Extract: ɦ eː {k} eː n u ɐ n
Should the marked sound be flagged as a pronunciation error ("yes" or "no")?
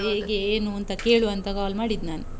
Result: yes